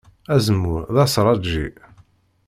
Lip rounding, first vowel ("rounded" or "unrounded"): unrounded